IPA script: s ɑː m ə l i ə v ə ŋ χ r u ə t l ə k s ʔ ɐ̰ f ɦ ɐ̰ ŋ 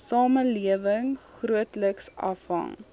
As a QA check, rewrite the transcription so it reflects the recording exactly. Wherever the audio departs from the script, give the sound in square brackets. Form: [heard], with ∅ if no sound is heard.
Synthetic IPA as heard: s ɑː m ə l i ə v ə ŋ χ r u ə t l ə k s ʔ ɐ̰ f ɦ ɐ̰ ŋ